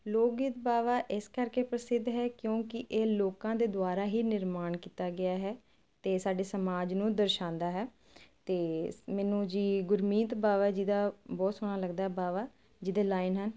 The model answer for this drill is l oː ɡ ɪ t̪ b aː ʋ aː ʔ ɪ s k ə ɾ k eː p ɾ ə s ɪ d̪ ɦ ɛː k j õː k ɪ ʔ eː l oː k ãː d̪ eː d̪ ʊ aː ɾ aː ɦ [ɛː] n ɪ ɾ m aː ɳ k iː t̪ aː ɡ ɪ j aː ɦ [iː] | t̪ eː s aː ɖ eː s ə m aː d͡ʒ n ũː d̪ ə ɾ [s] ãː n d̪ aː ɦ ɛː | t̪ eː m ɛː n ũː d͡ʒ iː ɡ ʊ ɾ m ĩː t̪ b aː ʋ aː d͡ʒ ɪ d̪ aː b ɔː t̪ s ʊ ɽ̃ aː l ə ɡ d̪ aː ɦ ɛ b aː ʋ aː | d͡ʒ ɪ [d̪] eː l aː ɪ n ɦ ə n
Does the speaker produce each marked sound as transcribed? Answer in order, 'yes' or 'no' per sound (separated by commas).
no, no, no, yes